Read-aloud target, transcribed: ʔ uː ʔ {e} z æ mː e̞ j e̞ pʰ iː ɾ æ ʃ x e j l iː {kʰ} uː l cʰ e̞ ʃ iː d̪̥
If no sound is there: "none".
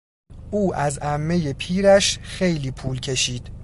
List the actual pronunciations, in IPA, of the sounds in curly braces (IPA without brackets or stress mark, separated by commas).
æ, pʰ